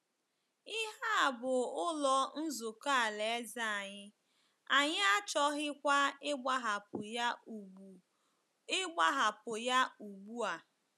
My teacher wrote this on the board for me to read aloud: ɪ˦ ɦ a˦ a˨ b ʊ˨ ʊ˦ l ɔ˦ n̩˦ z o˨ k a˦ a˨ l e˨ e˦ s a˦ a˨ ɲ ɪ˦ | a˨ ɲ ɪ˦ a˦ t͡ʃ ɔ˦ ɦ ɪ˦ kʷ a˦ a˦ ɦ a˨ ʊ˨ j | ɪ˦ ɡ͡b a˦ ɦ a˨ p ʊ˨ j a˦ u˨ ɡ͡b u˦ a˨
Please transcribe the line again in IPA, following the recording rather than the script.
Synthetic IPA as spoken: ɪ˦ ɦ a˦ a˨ b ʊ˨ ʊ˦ l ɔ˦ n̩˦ z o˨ k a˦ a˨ l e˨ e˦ z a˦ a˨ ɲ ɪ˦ | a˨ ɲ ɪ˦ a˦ t͡ʃ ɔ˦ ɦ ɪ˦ kʷ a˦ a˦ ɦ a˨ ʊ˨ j | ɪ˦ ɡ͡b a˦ ɦ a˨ p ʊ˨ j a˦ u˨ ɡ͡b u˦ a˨